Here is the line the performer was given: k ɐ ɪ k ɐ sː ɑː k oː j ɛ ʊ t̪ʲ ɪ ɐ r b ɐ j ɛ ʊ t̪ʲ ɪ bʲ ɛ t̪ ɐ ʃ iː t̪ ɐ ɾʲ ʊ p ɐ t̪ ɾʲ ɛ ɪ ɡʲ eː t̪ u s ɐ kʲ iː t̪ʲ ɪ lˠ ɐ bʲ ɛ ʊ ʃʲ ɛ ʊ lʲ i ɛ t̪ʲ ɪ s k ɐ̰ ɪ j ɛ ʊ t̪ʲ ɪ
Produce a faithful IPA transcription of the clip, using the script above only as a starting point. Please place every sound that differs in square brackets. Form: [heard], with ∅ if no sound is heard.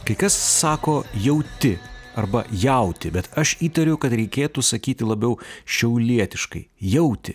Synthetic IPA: k ɐ ɪ k ɐ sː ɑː k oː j ɛ ʊ t̪ʲ ɪ ɐ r b ɐ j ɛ ʊ t̪ʲ ɪ bʲ ɛ t̪ ɐ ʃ iː t̪ ɐ ɾʲ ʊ [k] ɐ t̪ ɾʲ ɛ ɪ [kʲ] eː t̪ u s ɐ kʲ iː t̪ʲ ɪ lˠ ɐ bʲ ɛ ʊ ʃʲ ɛ ʊ lʲ i ɛ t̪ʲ ɪ [ʃ] k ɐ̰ ɪ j ɛ ʊ t̪ʲ ɪ